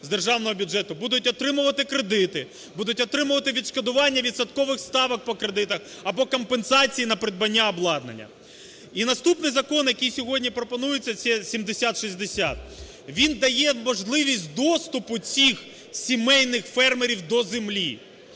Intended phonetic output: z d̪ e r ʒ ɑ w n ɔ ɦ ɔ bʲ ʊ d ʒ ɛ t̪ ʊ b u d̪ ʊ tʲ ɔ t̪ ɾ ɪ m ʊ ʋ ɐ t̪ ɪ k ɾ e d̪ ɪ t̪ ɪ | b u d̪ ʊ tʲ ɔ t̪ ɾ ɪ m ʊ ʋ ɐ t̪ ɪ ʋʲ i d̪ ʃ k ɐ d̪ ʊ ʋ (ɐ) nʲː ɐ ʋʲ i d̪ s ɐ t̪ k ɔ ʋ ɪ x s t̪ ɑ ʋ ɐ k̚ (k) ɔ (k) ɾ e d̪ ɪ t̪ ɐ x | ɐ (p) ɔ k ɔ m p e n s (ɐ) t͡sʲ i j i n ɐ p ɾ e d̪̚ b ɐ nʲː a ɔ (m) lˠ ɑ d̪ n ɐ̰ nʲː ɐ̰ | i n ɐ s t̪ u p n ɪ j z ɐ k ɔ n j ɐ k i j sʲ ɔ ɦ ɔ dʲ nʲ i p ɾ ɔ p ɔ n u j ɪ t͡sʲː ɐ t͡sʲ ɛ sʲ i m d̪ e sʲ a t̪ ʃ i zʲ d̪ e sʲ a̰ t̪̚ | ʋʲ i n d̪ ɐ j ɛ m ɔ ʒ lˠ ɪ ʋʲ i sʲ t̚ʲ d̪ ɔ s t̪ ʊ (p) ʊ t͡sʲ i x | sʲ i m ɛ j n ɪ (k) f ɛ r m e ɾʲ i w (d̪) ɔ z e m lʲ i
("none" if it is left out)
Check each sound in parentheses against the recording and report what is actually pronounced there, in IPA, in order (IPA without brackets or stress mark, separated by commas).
ɑ, p, k, b, ɑ, b, p, x, d̪